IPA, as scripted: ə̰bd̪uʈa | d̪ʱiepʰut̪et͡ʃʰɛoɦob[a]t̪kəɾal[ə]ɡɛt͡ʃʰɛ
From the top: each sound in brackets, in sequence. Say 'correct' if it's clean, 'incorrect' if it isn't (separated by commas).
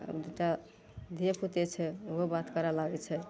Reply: correct, incorrect